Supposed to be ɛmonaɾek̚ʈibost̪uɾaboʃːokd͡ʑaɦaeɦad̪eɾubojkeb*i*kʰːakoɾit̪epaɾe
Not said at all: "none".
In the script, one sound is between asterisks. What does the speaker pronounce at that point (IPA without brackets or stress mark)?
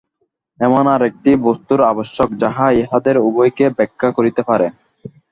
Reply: ɛ